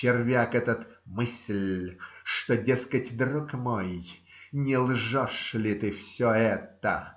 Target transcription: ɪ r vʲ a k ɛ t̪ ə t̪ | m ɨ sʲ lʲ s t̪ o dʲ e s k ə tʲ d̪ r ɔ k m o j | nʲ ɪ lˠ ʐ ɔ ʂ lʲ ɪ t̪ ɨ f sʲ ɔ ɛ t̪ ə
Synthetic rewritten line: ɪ r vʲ a k ɛ t̪ ə t̪ | m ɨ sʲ lʲ ʂ t̪ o dʲ e s k ə tʲ d̪ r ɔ k m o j | nʲ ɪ lˠ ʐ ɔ ʂ lʲ ɪ t̪ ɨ f sʲ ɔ ɛ t̪ ə